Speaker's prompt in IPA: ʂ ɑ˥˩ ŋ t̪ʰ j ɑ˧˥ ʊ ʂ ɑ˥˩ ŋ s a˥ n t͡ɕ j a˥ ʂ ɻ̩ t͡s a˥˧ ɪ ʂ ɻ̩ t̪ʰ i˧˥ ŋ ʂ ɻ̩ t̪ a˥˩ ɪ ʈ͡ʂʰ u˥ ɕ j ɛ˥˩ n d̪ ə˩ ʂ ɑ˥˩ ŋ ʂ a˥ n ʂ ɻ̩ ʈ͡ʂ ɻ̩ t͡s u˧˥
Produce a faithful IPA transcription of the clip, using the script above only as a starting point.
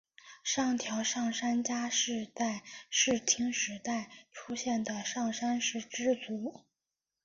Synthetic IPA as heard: ʂ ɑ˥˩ ŋ t̪ʰ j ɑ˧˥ ʊ ʂ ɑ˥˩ ŋ ʂ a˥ n t͡ɕ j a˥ ʂ ɻ̩ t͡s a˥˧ ɪ ʂ ɻ̩ t̪ʰ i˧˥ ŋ ʂ ɻ̩ t̪ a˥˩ ɪ ʈ͡ʂʰ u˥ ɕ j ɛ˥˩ n d̪ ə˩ ʂ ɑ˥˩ ŋ ʂ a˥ n ʂ ɻ̩ ʈ͡ʂ ɻ̩ t͡s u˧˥